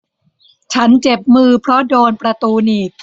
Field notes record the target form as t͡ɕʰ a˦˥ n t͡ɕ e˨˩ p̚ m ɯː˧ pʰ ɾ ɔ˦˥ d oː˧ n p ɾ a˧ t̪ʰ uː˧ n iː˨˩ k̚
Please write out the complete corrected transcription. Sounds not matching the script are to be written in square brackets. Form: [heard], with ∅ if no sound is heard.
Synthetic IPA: t͡ɕʰ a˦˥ n t͡ɕ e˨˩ p̚ m ɯː˧ pʰ ɾ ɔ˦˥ d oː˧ n p ɾ a˧ [t̪] uː˧ n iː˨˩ k̚